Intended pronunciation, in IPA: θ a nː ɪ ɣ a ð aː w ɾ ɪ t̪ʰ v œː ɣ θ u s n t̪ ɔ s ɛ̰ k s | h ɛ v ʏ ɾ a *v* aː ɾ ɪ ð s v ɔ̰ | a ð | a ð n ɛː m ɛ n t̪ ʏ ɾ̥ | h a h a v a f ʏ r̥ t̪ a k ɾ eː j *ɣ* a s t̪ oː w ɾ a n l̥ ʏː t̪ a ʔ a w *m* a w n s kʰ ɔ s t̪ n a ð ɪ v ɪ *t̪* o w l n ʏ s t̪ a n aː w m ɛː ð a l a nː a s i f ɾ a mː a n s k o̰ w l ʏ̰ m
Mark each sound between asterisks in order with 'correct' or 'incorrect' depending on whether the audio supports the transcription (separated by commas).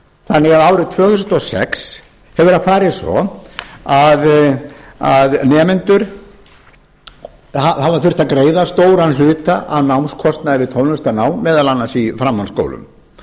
incorrect, incorrect, incorrect, incorrect